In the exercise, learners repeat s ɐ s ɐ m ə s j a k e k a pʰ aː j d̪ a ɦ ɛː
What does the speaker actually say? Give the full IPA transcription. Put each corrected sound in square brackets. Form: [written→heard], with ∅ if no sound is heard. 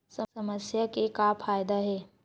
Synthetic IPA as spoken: s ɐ s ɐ m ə s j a k e k a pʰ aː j d̪ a ɦ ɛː

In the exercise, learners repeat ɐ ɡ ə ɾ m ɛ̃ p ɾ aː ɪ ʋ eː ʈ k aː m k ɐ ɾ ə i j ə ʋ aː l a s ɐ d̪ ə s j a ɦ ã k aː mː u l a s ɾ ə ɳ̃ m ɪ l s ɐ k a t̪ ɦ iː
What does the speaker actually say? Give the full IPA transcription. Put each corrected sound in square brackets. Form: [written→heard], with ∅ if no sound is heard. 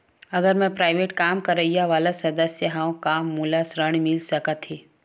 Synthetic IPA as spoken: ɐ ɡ ə ɾ m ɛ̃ p ɾ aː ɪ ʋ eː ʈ k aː m k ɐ ɾ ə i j [ə→a] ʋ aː l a s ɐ d̪ ə s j [a→ə] ɦ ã k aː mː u l a s ɾ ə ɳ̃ m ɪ l s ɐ k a t̪ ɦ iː

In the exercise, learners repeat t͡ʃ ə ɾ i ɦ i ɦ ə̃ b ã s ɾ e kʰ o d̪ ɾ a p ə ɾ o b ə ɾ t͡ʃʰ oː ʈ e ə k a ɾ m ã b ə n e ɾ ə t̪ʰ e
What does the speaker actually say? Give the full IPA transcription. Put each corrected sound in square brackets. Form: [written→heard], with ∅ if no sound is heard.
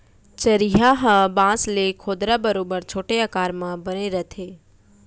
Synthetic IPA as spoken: t͡ʃ ə ɾ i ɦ [i→a] ɦ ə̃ b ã s [ɾ→l] e kʰ o d̪ ɾ a [p→b] ə ɾ o b ə ɾ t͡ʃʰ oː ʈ e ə k a ɾ m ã b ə n e ɾ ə t̪ʰ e

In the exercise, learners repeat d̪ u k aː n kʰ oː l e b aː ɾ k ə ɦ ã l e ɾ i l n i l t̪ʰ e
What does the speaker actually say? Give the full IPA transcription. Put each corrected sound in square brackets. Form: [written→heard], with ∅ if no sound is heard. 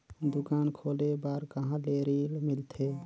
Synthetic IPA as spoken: d̪ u k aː n kʰ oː l e b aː ɾ k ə ɦ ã l e ɾ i l [n→m] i l t̪ʰ e

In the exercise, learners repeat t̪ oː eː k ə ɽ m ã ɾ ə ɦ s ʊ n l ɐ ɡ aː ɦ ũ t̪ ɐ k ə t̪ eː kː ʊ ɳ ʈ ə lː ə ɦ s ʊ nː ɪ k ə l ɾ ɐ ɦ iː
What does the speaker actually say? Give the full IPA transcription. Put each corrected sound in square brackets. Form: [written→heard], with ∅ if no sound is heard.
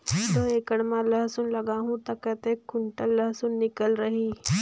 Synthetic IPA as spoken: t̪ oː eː k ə ɽ m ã [ɾ→l] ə ɦ s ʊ n l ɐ ɡ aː ɦ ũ t̪ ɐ k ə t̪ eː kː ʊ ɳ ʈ ə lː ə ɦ s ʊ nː ɪ k ə l ɾ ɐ ɦ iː

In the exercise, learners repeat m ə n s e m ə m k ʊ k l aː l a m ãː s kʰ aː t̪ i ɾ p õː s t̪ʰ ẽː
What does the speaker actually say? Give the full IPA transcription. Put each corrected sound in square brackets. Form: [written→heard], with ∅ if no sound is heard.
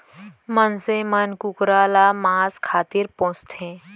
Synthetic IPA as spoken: m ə n s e m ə [m→n] k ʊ k [l→ɾ] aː l a m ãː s kʰ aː t̪ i ɾ p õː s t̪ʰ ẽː

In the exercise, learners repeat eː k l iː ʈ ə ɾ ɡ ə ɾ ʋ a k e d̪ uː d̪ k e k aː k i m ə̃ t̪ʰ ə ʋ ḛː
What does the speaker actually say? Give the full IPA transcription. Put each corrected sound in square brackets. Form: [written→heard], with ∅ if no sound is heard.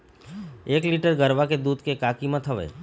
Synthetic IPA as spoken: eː k l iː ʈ ə ɾ ɡ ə ɾ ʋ a k e d̪ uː d̪ k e k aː k i m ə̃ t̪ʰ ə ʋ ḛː

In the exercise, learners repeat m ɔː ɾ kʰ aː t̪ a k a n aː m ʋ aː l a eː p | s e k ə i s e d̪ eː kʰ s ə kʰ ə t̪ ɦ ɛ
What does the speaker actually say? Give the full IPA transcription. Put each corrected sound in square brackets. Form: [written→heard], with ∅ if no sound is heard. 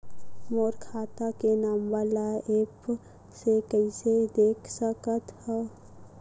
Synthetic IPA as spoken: m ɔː ɾ kʰ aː t̪ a k [a→e] n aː m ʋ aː l a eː p | s e k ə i s e d̪ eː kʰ s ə [kʰ→k] ə t̪ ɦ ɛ

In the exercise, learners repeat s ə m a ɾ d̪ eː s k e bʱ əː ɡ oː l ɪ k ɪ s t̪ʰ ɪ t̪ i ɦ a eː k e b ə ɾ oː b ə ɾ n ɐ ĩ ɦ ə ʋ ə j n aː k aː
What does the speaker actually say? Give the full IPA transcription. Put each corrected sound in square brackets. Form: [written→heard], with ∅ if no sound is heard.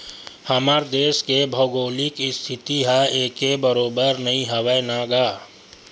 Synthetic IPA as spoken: [s→h] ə m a ɾ d̪ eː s k e bʱ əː ɡ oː l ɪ k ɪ s t̪ʰ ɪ t̪ i ɦ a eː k e b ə ɾ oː b ə ɾ n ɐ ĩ ɦ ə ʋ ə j n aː [k→ɡ] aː

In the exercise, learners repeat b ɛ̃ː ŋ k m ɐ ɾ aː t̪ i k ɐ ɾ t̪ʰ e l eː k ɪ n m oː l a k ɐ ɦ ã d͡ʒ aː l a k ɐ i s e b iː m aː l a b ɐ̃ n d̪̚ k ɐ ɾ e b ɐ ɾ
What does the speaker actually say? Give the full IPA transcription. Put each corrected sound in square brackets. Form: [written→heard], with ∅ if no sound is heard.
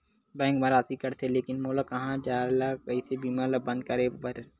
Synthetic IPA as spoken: b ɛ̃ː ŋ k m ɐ ɾ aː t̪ i k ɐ ɾ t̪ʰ e l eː k ɪ n m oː l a k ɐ ɦ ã d͡ʒ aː l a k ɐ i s e b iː m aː l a b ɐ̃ n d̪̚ k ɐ ɾ e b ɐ ɾ

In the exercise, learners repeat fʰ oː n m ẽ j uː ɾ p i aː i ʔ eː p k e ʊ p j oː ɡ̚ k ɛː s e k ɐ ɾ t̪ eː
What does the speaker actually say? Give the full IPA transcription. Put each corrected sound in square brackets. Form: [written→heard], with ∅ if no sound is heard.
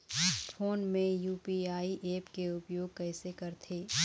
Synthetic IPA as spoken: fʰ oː n m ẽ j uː [ɾ→∅] p i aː i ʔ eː p k e ʊ p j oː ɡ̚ k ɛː s e k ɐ ɾ [t̪→t̪ʰ] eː

